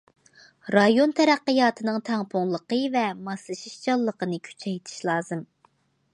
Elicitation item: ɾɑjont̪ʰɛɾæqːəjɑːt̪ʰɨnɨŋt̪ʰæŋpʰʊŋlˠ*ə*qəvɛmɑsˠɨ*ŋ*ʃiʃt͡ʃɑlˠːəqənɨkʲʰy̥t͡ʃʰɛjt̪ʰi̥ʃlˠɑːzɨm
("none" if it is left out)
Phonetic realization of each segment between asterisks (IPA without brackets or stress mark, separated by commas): ə, none